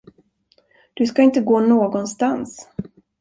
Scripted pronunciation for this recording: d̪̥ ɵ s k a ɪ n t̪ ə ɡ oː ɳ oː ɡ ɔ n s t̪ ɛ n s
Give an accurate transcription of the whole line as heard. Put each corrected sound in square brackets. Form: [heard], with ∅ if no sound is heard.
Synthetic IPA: d̪̥ ɵ s k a ɪ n t̪ ə ɡ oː [n] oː ɡ ɔ n s t̪ [a] n s